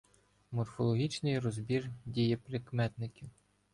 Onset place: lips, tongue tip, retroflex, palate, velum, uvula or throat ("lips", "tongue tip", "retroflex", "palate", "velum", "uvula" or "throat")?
lips